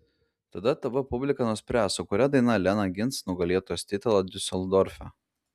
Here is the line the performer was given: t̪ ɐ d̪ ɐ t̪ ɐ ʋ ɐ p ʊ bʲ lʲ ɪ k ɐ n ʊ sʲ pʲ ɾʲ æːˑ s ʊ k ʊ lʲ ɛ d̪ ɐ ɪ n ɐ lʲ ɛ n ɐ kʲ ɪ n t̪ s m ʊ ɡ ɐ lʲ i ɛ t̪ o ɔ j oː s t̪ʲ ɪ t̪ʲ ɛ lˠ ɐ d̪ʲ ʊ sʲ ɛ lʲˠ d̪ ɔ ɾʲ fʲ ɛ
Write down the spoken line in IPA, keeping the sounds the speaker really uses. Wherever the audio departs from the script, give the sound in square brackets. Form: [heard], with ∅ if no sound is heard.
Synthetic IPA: t̪ ɐ d̪ ɐ t̪ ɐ ʋ ɐ p ʊ bʲ lʲ ɪ k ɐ n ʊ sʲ pʲ ɾʲ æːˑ s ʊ k ʊ [ɾʲ] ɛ d̪ ɐ ɪ n ɐ lʲ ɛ n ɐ [ɡʲ] ɪ n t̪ s [n] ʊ ɡ ɐ lʲ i ɛ t̪ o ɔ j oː s t̪ʲ ɪ t̪ʲ ɛ lˠ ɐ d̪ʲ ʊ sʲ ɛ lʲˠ d̪ ɔ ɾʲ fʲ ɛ